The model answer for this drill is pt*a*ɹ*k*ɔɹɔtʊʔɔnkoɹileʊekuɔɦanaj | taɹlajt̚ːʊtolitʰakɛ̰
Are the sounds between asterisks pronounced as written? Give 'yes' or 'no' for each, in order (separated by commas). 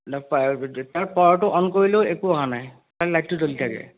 yes, no